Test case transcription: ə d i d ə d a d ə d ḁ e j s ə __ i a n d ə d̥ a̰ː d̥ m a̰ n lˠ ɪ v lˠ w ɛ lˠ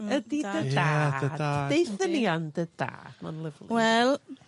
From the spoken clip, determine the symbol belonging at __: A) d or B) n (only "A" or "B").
B